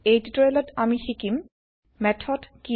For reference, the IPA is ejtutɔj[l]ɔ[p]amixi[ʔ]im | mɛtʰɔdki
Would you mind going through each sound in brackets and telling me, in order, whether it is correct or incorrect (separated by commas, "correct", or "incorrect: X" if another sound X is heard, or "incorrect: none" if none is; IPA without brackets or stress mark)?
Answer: correct, incorrect: t, incorrect: k